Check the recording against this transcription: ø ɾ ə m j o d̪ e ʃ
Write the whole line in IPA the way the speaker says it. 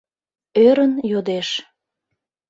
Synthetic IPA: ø ɾ ə n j o d̪ e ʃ